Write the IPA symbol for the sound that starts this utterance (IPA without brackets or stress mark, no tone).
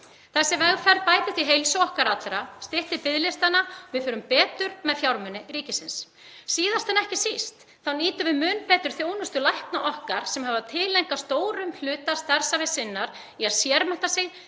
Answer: θ